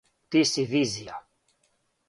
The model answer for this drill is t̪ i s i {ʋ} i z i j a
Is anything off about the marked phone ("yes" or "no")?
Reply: yes